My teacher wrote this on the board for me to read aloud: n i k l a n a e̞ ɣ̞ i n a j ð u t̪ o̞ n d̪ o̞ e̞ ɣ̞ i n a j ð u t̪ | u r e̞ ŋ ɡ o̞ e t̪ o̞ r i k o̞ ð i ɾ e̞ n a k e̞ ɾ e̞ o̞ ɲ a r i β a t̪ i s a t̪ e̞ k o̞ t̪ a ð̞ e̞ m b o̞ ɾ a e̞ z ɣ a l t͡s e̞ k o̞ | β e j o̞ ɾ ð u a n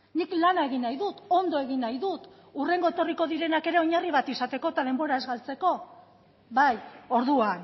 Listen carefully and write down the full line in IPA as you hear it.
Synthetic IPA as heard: n i k l a n a e̞ ɣ̞ i n a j ð u t̪ o̞ n d̪ o̞ e̞ ɣ̞ i n a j ð u t̪ | u r e̞ ŋ ɡ o̞ e t̪ o̞ r i k o̞ ð i ɾ e̞ n a k e̞ ɾ e̞ o̞ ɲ a r i β a t̪ i s a t̪ e̞ k o̞ t̪ a ð̞ e̞ m b o̞ ɾ a e̞ z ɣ a l t͡s e̞ k o̞ | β a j o̞ ɾ ð u a n